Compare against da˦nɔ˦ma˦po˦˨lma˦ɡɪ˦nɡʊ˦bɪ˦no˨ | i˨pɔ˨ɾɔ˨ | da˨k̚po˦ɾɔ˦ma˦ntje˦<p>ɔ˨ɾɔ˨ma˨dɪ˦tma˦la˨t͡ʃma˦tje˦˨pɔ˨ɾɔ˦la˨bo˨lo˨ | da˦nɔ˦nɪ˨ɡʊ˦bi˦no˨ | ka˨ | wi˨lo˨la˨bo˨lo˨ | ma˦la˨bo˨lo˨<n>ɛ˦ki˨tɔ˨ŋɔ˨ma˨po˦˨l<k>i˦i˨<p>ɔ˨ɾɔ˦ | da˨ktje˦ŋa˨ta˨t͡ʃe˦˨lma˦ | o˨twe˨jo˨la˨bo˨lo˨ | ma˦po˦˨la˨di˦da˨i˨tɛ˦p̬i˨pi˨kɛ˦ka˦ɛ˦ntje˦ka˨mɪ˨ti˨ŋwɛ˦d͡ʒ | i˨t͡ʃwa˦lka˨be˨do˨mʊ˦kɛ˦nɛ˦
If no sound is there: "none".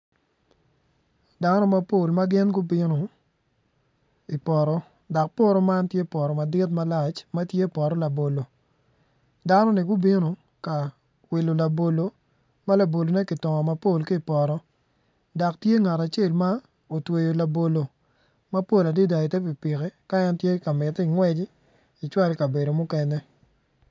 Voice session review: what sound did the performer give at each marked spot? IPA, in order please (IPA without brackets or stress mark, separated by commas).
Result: p, n, k, p